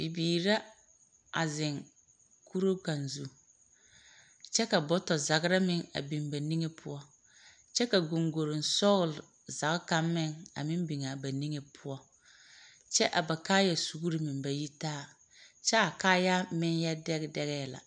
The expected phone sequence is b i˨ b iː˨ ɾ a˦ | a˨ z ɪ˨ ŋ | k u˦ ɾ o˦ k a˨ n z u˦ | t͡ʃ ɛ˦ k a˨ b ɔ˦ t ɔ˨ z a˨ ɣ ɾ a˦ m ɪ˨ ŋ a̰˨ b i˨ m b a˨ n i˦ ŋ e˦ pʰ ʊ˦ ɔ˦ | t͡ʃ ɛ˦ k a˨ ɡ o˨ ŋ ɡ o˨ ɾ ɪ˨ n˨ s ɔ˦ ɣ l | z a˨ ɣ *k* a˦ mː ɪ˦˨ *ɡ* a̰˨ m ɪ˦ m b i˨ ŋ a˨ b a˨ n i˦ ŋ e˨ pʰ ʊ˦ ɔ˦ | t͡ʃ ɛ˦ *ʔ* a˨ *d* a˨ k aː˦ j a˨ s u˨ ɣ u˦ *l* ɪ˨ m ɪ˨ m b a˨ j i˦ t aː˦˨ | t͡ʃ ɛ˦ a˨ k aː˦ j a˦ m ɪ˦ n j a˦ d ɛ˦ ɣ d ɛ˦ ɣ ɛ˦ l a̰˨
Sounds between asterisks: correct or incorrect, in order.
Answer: correct, incorrect, correct, incorrect, incorrect

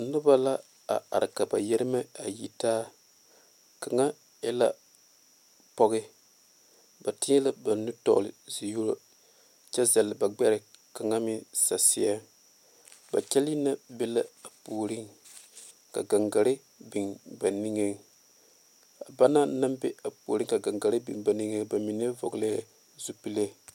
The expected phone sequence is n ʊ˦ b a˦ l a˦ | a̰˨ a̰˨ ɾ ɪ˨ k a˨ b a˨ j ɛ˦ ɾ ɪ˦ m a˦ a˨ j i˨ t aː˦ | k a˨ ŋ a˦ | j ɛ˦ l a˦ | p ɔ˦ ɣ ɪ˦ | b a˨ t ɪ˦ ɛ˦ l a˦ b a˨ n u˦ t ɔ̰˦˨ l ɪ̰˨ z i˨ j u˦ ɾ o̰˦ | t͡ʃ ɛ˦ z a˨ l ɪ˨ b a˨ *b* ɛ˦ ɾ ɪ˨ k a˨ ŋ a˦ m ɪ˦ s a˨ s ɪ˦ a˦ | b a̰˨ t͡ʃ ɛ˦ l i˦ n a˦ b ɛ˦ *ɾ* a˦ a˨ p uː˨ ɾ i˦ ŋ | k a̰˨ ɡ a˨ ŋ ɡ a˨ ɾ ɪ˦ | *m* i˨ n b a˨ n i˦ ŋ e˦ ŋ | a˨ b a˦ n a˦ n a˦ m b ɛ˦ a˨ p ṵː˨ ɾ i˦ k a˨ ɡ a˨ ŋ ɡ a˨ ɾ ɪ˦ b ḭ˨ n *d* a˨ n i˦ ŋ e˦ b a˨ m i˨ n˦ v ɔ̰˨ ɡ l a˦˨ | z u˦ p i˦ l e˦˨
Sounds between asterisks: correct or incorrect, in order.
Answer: incorrect, incorrect, incorrect, incorrect

